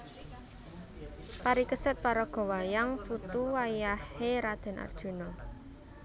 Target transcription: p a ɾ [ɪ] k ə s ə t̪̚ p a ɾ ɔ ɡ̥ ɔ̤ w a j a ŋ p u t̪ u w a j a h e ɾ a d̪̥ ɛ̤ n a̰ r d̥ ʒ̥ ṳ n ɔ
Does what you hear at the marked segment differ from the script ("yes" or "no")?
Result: yes